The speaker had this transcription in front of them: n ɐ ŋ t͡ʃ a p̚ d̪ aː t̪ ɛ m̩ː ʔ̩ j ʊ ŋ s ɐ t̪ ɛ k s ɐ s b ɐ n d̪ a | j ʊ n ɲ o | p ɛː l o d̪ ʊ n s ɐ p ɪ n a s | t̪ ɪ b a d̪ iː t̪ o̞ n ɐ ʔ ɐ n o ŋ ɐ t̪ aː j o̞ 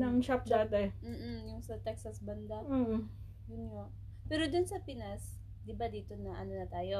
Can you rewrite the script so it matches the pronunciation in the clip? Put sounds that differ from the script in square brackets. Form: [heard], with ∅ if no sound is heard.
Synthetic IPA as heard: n ɐ ŋ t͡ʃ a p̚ d̪ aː t̪ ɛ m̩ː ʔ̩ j ʊ ŋ s ɐ t̪ ɛ k s ɐ s b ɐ n d̪ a | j ʊ n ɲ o | p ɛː [ɾ] o d̪ ʊ n s ɐ p ɪ n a s | [d̪] ɪ b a d̪ iː t̪ o̞ n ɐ ʔ ɐ n o [n] ɐ t̪ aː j o̞